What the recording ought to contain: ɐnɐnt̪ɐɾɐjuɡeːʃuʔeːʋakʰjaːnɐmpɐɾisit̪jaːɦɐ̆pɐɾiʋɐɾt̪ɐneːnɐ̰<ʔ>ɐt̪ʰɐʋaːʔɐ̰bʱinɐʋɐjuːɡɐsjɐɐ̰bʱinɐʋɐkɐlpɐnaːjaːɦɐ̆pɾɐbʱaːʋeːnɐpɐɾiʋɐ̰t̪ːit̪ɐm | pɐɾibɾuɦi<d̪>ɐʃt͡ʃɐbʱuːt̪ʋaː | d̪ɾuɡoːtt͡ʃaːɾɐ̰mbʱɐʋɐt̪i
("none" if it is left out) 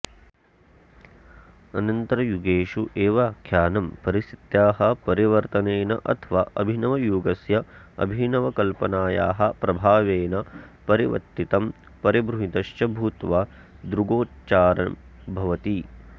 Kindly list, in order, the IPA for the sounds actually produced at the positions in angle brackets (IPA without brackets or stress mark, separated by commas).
ʔ, t̪